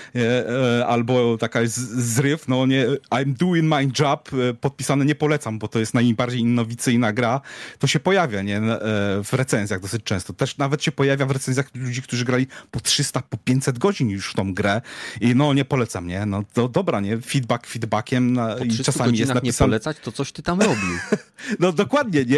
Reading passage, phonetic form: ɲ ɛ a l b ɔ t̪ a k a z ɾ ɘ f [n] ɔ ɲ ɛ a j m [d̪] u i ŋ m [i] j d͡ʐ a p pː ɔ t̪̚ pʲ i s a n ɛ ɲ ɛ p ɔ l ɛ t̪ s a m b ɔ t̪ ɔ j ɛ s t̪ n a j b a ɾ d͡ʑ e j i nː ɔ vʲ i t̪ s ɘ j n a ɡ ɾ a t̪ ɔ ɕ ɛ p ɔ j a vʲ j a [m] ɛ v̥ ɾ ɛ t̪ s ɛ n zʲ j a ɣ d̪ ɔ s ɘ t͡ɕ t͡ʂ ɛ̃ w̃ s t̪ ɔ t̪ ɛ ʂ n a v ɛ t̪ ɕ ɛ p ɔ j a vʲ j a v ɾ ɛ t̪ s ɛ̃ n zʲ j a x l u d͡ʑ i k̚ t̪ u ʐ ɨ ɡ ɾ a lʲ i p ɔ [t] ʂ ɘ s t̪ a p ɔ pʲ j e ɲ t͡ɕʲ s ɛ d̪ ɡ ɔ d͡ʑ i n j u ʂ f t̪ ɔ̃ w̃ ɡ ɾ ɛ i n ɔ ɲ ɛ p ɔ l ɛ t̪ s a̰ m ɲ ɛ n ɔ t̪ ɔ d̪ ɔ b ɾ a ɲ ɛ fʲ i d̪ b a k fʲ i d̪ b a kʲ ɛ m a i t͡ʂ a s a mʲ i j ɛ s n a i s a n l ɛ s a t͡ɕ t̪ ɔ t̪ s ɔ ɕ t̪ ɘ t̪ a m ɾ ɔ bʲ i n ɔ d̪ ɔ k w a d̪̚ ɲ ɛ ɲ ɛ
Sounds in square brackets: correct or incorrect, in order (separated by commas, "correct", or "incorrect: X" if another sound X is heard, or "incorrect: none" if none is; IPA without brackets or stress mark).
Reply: correct, correct, incorrect: a, incorrect: ɲ, correct